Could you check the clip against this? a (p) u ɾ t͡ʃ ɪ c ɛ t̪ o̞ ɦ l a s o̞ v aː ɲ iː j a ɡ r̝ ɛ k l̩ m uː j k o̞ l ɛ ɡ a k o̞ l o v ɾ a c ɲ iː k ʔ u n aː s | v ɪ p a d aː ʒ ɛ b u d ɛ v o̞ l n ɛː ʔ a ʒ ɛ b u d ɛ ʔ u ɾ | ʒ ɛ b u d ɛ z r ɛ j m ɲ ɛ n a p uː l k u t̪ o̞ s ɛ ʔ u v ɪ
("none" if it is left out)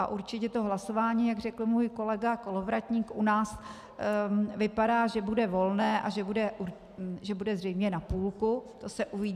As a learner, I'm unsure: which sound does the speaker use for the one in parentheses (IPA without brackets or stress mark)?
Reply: ʔ